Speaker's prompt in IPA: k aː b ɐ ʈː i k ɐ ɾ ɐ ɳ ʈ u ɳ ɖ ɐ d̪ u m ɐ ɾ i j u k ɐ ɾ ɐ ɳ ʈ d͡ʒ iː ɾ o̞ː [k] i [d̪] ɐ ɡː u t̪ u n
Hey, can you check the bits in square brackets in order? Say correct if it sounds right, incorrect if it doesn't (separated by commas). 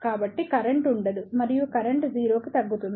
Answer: correct, incorrect